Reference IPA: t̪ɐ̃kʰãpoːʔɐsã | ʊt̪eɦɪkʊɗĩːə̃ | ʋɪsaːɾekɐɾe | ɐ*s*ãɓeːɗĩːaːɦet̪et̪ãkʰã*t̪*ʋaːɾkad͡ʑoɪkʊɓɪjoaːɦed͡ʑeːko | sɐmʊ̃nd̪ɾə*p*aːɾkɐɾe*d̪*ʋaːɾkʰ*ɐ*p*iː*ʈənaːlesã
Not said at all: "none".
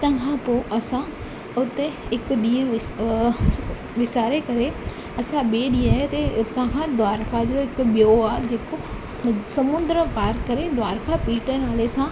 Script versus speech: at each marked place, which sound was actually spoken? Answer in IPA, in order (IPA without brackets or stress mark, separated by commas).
s, d̪, p, d̪, a, iː